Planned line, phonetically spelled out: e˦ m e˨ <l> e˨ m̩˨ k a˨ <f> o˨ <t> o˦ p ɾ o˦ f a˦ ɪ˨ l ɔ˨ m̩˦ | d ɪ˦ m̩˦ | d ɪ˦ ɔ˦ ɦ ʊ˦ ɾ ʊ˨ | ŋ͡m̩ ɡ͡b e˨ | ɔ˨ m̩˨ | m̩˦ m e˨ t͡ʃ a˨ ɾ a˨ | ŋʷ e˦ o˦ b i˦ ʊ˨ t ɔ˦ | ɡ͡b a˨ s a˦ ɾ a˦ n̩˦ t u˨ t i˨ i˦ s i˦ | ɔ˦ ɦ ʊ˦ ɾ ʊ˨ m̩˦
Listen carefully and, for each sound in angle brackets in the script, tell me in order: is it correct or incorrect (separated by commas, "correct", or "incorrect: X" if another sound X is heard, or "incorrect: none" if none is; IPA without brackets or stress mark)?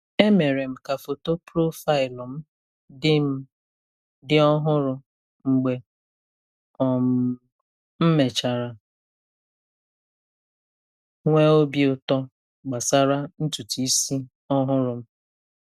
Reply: incorrect: ɾ, correct, correct